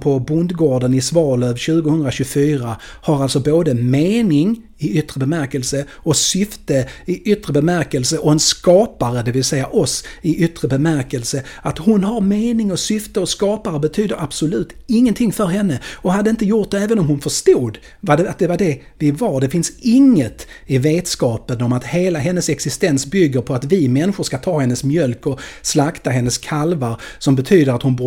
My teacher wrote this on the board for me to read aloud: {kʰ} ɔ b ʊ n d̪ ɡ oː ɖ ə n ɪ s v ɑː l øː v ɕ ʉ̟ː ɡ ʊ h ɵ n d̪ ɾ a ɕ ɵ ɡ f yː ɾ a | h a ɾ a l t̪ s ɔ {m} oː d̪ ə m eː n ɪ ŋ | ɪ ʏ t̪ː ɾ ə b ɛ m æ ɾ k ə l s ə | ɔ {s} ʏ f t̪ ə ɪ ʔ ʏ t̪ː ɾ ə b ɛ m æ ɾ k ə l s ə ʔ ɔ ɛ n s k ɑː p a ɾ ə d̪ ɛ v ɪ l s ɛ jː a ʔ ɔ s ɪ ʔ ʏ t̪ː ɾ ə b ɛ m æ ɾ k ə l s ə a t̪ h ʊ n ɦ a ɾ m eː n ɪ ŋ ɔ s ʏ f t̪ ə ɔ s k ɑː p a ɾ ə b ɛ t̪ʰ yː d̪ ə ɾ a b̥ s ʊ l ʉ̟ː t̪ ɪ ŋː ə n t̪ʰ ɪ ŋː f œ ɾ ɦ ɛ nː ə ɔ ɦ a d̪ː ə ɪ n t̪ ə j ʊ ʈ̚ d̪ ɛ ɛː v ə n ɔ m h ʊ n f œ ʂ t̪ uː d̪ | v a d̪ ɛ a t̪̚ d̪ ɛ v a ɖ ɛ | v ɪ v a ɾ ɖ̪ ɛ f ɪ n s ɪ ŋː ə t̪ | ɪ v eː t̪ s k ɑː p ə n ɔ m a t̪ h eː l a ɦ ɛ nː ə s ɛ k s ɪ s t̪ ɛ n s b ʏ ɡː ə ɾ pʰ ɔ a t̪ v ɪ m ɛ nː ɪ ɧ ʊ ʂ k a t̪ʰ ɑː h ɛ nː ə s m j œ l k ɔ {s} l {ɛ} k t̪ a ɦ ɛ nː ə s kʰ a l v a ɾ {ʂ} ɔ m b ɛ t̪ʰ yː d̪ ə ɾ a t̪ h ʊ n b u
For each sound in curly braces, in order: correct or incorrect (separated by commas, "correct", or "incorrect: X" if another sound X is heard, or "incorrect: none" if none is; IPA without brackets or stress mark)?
incorrect: pʰ, incorrect: b, correct, correct, incorrect: a, incorrect: s